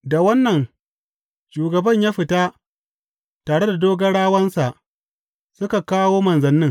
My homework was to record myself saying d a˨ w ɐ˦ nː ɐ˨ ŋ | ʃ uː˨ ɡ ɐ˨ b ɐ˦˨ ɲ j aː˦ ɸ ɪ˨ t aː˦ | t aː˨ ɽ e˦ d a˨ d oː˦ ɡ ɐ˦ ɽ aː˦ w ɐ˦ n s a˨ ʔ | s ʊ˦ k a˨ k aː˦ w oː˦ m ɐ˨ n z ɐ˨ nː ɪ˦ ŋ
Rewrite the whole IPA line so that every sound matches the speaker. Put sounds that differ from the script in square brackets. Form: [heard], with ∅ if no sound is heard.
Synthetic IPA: d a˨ w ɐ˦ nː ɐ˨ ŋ | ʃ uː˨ ɡ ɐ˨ b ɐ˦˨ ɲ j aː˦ ɸ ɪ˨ t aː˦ | t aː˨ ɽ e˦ d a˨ d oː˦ ɡ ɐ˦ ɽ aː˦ w ɐ˦ n s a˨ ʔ | s ʊ˦ k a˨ k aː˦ w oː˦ m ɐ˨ n z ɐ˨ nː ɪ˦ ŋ